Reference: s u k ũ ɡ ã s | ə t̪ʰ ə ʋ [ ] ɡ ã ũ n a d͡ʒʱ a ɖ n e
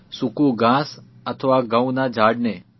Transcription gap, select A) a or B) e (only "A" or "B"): A